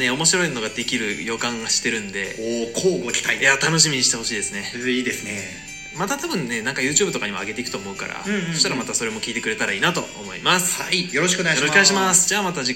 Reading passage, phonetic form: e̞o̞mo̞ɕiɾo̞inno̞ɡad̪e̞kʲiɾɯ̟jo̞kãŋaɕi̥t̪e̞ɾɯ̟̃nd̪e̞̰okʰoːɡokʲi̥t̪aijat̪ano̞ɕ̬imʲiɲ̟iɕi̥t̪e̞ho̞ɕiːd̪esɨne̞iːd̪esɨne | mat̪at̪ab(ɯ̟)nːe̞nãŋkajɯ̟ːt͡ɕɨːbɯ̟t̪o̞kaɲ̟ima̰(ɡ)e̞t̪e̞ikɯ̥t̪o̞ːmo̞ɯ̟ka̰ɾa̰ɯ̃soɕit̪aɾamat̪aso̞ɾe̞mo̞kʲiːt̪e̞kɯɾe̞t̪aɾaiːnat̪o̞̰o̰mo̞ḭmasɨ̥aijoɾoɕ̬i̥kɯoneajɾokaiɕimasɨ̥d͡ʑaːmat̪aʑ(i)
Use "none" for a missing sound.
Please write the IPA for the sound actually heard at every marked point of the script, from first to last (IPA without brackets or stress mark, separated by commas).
ɯ̟̃, ɡ, i